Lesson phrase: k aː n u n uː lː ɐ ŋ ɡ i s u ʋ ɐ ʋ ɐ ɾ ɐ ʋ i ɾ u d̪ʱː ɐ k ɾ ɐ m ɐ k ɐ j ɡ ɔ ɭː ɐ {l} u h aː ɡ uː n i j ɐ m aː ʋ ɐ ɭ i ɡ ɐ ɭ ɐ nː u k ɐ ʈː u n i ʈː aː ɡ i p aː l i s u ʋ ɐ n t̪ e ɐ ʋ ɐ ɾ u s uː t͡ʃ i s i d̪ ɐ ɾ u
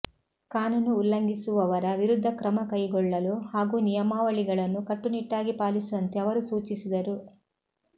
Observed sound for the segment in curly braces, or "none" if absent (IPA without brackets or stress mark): l